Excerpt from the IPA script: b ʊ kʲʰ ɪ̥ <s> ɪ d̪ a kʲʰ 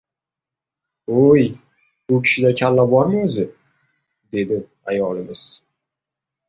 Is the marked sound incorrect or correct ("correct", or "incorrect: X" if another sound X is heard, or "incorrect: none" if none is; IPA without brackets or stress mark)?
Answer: incorrect: ʃ